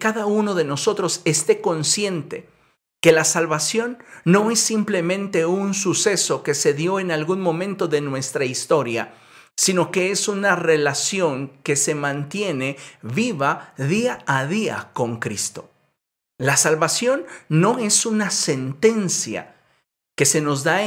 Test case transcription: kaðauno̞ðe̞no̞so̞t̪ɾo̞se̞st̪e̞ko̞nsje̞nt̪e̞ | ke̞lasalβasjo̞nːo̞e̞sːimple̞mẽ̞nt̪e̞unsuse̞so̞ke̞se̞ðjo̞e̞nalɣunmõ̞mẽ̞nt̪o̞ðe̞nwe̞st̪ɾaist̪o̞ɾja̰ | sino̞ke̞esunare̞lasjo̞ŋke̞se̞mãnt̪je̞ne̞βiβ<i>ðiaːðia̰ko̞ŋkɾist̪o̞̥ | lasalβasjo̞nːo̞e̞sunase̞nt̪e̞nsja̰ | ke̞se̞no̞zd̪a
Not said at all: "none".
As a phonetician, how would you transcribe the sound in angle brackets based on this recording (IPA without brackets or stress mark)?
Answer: a